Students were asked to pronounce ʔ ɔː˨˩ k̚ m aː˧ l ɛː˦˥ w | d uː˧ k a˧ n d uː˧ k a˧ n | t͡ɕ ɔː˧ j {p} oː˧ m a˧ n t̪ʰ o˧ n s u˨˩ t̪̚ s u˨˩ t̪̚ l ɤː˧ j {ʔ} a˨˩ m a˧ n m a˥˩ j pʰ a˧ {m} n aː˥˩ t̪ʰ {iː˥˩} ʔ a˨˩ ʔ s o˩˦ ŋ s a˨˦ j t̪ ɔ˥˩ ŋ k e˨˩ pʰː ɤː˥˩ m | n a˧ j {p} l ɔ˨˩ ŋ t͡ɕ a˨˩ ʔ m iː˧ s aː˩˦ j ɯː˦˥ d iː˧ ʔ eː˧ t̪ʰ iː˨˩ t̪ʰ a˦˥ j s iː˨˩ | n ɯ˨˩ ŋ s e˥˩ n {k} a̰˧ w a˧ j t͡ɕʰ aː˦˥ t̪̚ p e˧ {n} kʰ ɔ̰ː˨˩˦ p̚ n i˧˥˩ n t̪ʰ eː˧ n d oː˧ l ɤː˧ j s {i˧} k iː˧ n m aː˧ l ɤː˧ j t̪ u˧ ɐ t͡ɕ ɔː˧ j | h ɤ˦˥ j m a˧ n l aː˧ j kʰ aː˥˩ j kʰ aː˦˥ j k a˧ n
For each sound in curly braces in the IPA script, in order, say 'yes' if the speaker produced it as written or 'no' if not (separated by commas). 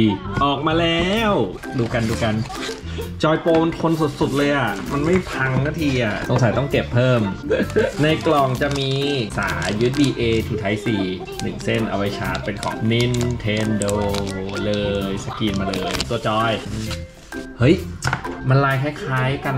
yes, yes, no, no, no, no, yes, no